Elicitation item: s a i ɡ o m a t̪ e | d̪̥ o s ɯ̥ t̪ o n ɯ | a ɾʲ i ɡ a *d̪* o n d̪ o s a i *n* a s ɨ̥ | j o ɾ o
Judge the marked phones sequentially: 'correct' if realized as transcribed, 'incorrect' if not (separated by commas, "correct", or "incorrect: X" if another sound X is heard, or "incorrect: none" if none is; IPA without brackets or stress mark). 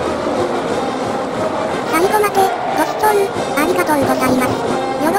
incorrect: t̪, incorrect: m